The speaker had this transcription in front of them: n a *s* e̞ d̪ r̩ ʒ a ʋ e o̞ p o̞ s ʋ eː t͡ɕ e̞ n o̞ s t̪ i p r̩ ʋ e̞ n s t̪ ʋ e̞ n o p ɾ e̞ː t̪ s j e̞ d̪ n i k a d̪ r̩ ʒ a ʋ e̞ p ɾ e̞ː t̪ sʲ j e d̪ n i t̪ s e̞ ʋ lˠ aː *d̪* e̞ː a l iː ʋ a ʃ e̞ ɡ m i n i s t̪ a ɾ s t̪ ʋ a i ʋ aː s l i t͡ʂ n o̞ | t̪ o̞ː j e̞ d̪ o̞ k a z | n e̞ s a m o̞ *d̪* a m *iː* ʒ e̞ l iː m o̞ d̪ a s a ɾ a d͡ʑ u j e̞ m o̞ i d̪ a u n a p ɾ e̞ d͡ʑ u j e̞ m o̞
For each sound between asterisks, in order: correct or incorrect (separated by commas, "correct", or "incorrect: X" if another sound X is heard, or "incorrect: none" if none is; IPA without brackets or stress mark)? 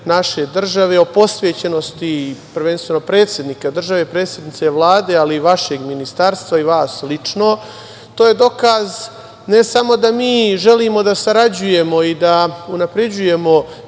incorrect: ʃ, correct, correct, correct